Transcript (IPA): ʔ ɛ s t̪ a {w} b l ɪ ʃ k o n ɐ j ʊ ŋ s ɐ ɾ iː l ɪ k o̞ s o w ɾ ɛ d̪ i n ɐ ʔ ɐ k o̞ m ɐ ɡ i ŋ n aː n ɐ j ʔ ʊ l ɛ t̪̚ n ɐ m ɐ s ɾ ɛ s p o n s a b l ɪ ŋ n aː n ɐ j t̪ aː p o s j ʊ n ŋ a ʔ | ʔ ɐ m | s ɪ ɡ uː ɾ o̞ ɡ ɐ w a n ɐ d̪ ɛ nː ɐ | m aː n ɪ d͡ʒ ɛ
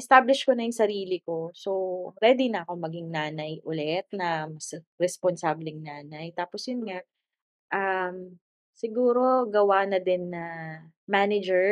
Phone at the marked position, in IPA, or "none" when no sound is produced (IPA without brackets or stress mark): none